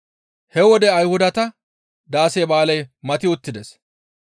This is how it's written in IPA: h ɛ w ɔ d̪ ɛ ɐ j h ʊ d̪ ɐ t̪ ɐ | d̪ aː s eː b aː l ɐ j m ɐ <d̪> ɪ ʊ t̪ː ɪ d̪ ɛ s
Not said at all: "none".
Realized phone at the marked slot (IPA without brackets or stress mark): t̪